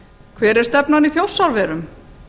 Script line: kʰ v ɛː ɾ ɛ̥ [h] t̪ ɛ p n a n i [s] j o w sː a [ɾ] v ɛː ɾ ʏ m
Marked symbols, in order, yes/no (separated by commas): no, no, yes